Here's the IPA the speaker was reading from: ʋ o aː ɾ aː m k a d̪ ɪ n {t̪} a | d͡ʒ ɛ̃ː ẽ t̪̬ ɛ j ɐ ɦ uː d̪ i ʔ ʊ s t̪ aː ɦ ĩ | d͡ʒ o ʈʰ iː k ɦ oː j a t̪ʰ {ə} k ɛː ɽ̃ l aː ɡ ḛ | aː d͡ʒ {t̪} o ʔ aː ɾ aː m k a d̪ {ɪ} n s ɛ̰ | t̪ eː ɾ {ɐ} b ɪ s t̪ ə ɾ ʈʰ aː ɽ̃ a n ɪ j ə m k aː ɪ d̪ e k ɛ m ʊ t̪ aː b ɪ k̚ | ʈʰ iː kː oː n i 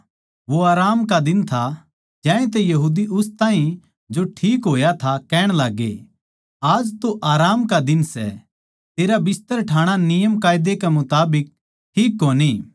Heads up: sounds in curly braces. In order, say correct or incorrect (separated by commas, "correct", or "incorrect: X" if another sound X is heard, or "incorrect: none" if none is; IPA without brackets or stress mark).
incorrect: t̪ʰ, incorrect: a, correct, correct, incorrect: a